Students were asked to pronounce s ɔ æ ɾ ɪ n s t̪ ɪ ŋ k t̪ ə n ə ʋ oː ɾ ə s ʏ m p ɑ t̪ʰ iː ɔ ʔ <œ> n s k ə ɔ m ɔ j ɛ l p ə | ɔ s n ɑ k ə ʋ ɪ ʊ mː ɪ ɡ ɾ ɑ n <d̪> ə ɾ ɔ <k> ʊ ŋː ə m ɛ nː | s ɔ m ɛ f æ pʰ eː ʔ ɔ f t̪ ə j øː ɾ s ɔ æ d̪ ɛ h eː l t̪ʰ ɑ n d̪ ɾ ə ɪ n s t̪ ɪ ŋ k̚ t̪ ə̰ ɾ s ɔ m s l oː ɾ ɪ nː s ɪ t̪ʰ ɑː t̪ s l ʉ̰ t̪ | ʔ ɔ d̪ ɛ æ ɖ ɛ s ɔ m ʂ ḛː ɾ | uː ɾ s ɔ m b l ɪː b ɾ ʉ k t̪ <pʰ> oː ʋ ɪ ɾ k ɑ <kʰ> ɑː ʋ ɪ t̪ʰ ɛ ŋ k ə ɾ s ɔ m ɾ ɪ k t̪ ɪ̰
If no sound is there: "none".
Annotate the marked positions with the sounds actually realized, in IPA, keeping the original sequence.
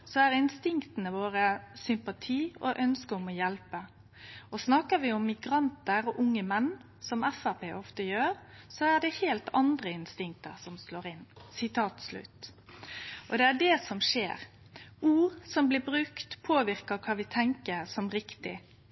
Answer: œ, t̪, ʔ, pʰ, kʰ

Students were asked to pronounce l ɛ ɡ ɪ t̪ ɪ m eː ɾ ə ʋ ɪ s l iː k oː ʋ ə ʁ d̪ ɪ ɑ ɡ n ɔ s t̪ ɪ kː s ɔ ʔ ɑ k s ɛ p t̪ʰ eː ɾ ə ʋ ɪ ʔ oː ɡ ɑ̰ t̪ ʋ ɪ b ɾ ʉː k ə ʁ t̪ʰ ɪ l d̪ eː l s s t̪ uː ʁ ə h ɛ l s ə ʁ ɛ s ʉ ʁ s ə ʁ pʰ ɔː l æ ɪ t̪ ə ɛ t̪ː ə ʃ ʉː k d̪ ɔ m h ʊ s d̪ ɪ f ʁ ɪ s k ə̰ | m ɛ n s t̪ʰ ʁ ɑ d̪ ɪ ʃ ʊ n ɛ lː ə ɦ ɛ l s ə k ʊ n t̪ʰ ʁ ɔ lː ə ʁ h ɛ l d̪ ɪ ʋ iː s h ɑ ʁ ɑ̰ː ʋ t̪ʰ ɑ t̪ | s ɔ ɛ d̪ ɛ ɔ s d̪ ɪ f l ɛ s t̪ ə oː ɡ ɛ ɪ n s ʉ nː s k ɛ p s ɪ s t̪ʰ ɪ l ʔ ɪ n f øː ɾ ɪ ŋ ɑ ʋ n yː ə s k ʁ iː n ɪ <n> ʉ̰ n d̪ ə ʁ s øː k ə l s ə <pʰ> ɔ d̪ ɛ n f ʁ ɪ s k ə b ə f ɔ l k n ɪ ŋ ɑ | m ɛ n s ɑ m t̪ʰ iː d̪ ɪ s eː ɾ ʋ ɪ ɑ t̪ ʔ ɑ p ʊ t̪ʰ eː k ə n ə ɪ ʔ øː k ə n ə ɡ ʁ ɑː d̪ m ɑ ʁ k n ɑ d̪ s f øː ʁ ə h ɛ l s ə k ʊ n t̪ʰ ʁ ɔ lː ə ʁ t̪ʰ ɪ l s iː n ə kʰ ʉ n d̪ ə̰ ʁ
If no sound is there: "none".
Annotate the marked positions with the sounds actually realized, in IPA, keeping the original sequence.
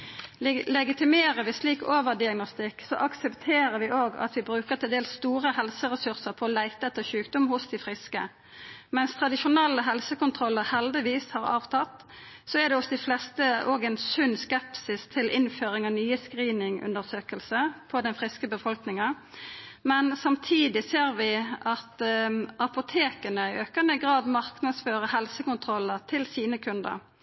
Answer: ŋ, pʰ

